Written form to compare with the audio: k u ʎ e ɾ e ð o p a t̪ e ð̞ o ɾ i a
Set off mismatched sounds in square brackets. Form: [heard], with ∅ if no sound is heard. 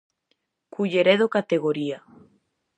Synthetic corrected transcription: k u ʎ e ɾ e ð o [k] a t̪ e [ɣ̞] o ɾ i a